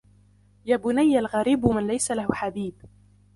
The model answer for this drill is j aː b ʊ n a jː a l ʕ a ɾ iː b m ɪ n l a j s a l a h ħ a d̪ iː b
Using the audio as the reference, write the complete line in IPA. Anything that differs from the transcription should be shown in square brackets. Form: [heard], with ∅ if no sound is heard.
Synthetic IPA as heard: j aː b ʊ n a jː a l [ɣ] a ɾ iː b m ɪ n l a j s a l a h ħ a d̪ iː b